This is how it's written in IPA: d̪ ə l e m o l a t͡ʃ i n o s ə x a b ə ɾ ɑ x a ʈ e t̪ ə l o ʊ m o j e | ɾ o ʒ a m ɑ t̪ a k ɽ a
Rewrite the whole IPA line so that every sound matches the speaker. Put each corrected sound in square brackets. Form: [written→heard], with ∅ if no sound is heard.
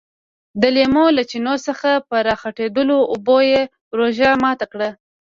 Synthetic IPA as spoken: d̪ ə l e m o l a t͡ʃ i n o s ə x a [b→p] ə ɾ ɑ x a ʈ e [t̪→d̪] ə l o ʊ [m→b] o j e | ɾ o ʒ a m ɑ t̪ a k ɽ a

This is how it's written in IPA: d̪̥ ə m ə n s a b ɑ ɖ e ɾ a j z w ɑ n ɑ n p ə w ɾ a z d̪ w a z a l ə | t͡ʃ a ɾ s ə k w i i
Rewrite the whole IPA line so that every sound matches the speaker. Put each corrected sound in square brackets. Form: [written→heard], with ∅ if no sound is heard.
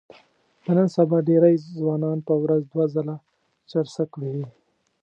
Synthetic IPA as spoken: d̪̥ ə [m→n] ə n s a b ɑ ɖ e ɾ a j z w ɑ n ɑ n p ə w ɾ a z d̪ w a z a l [ə→a] | t͡ʃ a ɾ s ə k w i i

